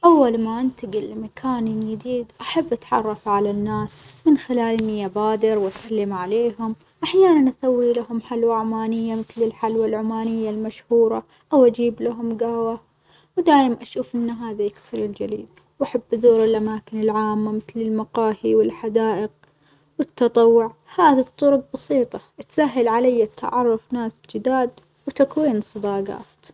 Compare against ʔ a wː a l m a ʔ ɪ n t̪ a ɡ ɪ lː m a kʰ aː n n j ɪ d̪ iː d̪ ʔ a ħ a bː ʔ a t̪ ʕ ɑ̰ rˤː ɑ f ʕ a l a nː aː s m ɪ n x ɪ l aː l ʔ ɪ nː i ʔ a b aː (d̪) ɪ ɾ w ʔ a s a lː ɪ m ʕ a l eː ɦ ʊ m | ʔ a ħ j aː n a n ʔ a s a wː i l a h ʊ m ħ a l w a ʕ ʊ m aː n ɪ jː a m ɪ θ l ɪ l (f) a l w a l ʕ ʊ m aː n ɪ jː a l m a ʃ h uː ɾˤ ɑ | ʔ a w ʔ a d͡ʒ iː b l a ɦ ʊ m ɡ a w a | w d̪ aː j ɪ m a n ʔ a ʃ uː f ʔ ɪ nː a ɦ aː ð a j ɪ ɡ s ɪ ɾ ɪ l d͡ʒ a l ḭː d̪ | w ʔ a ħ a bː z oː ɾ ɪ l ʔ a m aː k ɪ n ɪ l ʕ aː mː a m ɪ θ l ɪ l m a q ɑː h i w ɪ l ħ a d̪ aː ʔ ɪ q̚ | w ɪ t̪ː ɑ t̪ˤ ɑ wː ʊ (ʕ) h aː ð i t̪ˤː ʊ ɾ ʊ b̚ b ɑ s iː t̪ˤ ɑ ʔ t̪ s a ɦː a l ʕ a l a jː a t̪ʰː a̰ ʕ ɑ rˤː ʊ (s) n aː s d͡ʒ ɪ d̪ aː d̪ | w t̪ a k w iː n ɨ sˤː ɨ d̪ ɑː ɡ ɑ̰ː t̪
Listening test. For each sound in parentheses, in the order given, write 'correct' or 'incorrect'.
correct, incorrect: ħ, correct, incorrect: f

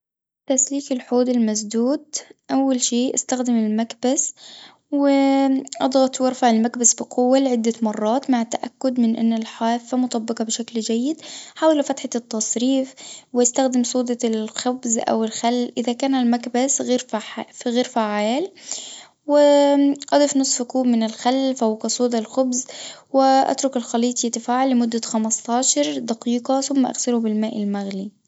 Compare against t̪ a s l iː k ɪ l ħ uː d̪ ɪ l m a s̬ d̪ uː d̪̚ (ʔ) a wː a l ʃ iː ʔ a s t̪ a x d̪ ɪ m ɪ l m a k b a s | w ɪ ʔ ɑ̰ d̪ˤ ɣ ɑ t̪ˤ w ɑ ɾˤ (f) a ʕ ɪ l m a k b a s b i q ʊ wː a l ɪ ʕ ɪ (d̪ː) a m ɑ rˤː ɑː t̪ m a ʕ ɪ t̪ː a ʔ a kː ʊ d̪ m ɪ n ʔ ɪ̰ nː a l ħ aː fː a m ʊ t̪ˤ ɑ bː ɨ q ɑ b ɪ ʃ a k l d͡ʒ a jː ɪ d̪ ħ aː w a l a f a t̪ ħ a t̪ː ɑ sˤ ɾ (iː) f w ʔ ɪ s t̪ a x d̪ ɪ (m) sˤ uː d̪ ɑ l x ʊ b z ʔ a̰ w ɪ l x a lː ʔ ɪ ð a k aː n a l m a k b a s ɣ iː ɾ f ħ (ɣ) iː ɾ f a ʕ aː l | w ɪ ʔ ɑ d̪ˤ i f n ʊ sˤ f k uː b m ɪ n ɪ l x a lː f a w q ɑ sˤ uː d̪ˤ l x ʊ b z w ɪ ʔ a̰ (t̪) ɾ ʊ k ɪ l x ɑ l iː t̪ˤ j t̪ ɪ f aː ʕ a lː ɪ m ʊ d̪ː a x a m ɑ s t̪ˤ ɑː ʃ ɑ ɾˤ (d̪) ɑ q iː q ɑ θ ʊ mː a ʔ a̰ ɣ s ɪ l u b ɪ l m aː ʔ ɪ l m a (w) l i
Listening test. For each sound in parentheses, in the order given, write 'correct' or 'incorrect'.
correct, correct, correct, correct, correct, correct, correct, correct, incorrect: ɣ

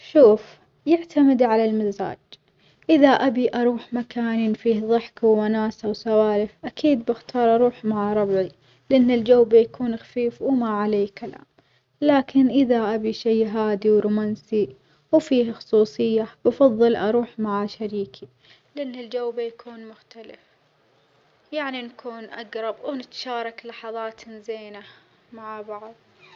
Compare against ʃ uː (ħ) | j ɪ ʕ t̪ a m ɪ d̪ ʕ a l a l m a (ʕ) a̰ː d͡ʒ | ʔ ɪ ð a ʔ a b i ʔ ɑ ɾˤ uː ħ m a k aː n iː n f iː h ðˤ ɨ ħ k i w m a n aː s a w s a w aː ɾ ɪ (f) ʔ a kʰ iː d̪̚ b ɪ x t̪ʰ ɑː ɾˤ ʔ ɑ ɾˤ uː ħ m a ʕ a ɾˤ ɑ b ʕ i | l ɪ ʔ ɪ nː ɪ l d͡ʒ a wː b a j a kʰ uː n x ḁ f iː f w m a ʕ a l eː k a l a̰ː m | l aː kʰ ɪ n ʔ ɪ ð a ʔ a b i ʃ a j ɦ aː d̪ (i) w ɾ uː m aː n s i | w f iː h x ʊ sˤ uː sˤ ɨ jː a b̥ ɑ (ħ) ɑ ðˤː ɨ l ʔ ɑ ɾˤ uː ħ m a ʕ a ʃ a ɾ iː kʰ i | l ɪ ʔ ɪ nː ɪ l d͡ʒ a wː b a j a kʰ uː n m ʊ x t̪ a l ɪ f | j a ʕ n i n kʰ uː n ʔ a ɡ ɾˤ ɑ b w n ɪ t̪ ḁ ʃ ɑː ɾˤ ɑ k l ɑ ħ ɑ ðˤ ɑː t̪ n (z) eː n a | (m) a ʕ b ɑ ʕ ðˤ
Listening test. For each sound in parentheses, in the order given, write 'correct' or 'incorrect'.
incorrect: f, incorrect: z, correct, correct, incorrect: f, correct, correct

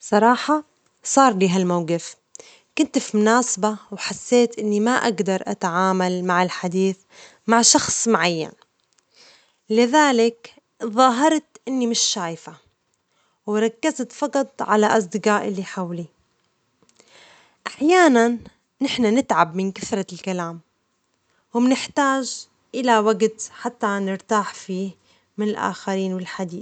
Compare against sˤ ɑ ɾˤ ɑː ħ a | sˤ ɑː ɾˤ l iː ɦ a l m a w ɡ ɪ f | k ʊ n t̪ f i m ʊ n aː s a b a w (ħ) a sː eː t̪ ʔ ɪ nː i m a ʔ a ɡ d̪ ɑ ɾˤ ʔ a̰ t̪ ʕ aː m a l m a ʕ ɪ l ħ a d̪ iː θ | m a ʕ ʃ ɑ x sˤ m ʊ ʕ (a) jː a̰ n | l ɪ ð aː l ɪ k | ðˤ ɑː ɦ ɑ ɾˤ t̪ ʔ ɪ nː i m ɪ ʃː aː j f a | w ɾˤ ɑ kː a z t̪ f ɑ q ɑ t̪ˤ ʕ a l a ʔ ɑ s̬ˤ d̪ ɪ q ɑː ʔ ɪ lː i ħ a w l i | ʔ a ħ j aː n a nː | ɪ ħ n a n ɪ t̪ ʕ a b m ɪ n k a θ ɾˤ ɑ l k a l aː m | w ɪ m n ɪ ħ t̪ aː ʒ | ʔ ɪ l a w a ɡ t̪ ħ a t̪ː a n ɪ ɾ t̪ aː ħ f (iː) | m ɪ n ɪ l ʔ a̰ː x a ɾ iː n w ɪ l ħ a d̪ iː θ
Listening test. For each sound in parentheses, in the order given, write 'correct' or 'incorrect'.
correct, correct, correct

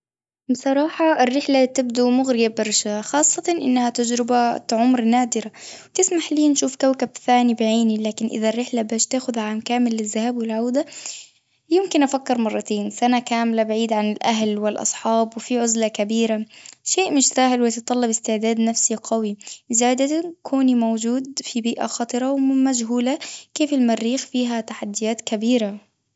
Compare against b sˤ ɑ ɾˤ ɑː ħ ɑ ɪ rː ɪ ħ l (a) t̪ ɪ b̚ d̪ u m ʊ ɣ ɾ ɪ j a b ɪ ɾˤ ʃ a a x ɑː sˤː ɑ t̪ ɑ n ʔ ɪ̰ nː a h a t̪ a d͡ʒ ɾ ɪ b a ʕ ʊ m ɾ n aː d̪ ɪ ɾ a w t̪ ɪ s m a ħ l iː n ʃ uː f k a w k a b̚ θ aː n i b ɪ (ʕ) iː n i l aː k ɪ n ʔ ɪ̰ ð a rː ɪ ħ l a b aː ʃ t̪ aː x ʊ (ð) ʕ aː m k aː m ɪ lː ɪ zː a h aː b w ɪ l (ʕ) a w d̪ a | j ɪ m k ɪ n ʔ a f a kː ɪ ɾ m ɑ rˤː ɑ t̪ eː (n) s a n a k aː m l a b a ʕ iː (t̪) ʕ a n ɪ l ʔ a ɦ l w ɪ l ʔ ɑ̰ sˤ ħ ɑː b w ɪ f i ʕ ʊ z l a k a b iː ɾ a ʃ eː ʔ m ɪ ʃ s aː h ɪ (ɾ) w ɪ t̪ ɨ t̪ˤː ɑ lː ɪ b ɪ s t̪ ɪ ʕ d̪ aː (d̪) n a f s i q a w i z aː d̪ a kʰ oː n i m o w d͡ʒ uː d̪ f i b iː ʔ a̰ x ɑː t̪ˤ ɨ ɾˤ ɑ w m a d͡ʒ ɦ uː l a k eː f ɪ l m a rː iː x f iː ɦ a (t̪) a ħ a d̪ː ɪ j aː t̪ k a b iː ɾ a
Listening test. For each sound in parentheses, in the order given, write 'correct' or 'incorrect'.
correct, correct, correct, correct, correct, incorrect: d̪, incorrect: l, correct, correct

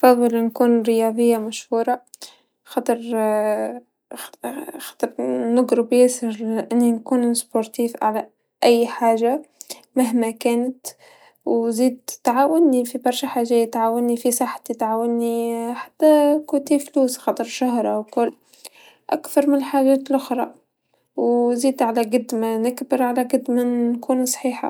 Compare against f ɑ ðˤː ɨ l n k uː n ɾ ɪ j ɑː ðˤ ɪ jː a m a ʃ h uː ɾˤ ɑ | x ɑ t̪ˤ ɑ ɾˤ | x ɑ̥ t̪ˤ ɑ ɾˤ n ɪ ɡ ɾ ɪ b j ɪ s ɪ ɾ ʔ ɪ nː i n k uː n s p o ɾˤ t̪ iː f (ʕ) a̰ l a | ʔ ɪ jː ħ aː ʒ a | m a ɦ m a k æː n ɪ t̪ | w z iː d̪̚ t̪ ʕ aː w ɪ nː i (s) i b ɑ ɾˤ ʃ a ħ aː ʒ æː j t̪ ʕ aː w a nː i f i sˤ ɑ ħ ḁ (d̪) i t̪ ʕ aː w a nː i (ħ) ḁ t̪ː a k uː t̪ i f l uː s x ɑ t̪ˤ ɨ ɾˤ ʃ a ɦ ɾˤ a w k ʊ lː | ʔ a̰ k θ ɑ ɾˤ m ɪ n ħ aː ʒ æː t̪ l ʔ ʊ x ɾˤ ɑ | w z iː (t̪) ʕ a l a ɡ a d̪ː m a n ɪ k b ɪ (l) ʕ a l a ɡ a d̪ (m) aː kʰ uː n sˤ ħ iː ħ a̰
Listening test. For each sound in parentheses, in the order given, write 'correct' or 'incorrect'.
correct, incorrect: f, incorrect: t̪, correct, incorrect: d̪, incorrect: ɾ, correct

